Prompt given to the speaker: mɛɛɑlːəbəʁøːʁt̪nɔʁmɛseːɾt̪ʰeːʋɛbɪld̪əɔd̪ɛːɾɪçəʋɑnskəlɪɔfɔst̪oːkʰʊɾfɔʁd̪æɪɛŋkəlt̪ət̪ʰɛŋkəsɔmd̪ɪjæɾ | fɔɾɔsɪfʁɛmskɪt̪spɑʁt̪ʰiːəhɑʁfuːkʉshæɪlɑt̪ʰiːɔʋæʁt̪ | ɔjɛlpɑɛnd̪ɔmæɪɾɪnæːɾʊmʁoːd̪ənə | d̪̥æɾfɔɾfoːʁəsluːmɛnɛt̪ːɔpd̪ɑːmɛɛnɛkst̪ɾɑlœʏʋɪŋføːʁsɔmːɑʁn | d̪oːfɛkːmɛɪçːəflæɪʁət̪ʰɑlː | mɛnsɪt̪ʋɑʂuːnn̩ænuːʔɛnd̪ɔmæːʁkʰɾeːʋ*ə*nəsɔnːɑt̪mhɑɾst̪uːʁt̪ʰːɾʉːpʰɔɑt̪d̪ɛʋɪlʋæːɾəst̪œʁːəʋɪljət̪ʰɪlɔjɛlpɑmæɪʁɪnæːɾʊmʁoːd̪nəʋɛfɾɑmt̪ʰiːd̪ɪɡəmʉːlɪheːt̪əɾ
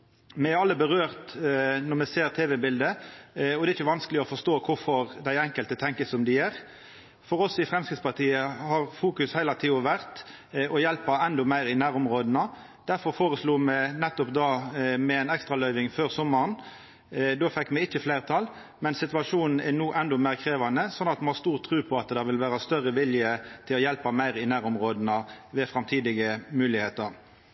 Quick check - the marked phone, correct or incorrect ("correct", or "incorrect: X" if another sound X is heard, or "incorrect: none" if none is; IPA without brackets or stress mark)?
incorrect: ɑ